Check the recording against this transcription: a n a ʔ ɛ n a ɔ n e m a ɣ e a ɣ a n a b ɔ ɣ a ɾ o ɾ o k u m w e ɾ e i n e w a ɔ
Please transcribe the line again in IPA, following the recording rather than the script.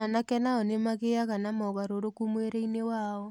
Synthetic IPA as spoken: a n a k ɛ n a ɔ n e m a ɣ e a ɣ a n a m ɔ ɣ a ɾ o ɾ o k u m w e ɾ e i n e w a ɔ